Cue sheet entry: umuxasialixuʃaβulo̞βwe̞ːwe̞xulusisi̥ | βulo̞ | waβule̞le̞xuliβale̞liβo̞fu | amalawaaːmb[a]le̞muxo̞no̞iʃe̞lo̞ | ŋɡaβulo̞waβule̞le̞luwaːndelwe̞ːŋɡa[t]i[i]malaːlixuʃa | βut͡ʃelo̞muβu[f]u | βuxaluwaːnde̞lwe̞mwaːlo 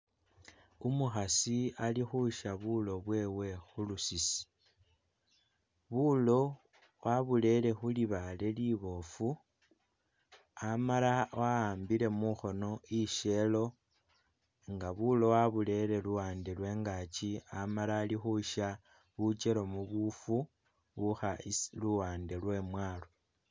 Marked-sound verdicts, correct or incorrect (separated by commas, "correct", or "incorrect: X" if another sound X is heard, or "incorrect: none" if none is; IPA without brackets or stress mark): incorrect: i, incorrect: t͡ʃ, incorrect: a, correct